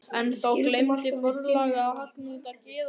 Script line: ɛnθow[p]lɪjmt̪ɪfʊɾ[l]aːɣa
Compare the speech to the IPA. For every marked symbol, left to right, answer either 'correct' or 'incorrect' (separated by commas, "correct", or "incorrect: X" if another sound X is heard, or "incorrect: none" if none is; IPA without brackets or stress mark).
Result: incorrect: k, correct